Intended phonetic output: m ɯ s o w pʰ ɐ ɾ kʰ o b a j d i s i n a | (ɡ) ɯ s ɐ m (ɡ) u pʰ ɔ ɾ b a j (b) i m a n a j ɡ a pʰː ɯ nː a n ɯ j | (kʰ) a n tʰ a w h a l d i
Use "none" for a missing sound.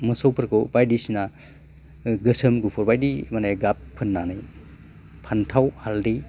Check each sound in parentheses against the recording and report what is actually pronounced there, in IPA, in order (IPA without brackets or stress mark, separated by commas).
ɡ, ɡ, d, pʰ